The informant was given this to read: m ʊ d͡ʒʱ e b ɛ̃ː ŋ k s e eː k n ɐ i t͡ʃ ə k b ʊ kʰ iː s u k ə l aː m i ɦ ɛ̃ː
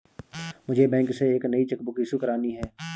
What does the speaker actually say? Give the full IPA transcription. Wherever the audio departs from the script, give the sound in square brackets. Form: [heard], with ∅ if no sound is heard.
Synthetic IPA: m ʊ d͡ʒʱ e b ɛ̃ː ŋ k s e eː k n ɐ i t͡ʃ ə k b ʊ [k] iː s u k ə [ɾ] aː [n] i ɦ [ɛː]

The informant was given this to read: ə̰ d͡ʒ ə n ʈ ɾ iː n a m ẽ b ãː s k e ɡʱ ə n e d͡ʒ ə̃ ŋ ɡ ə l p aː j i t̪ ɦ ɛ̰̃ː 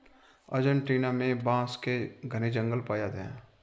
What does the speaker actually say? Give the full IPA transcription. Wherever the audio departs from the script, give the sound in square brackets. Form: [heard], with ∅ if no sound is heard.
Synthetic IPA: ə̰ d͡ʒ ə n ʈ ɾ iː n a m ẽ b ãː s k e ɡʱ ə n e d͡ʒ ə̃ ŋ ɡ ə l p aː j [a] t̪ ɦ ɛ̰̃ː

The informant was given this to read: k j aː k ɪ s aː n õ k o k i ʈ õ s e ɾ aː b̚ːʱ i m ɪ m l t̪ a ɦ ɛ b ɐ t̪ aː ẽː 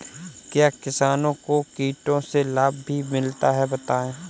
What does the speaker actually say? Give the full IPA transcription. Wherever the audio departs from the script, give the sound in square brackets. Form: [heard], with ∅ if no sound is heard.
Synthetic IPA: k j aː k ɪ s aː n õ k o k [iː] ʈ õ s e [l] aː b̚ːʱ i m ɪ [∅] l t̪ a ɦ ɛ b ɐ t̪ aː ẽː

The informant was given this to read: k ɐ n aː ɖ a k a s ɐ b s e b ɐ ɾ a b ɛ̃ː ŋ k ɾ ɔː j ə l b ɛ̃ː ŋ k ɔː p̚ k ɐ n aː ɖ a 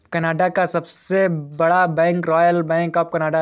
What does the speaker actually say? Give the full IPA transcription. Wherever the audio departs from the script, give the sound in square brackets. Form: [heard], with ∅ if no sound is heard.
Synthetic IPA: k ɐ n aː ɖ a k a s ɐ b s e b ɐ [ɽ] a b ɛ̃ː ŋ k ɾ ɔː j ə l b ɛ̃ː ŋ k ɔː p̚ k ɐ n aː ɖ a

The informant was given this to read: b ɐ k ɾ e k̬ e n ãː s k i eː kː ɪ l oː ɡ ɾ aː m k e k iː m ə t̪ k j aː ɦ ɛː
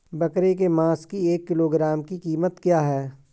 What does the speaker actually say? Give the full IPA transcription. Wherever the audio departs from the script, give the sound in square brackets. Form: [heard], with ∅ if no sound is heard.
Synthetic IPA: b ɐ k ɾ e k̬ e [m] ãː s k i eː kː ɪ l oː ɡ ɾ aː m k [i] k iː m ə t̪ k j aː ɦ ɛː

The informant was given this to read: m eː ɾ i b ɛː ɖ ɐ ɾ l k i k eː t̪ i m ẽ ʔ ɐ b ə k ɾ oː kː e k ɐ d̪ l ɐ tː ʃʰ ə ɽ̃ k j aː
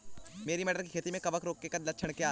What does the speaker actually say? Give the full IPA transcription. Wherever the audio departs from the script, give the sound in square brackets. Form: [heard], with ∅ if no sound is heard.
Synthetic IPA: m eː ɾ i [m] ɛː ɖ [ə] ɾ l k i [kʰ] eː t̪ i m ẽ [k] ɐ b ə k ɾ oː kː e k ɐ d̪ l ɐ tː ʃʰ ə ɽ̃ k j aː

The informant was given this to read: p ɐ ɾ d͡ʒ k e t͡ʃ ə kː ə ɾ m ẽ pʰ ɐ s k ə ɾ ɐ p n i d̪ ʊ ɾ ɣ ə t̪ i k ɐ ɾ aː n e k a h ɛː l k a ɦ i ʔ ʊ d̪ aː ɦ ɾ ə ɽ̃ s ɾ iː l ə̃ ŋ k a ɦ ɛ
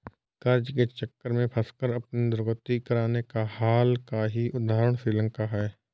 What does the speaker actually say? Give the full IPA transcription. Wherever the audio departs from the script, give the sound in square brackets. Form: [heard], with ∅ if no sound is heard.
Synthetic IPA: [k] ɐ ɾ d͡ʒ k e t͡ʃ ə kː ə ɾ m ẽ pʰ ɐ s k ə ɾ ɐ p n i d̪ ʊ ɾ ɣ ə t̪ i k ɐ ɾ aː n e k a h [aː] l k a ɦ i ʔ ʊ d̪ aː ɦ ɾ ə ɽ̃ s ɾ iː l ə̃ ŋ k a ɦ [ɛː]

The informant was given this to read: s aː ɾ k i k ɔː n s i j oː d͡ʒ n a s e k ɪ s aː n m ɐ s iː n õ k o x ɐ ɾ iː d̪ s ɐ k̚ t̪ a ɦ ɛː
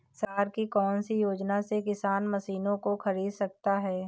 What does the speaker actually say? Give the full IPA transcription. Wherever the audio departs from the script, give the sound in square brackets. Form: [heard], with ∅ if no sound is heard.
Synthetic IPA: s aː ɾ k i k ɔː n s i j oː d͡ʒ n a s e k ɪ s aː n m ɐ s iː n õ k o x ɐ ɾ iː d̪ s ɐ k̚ t̪ a ɦ ɛː

